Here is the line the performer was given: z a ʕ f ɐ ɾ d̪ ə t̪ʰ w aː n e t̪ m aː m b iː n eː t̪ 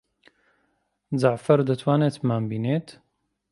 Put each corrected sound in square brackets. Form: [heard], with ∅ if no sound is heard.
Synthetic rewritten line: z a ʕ f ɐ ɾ d̪ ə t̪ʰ w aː n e t̪ m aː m b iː n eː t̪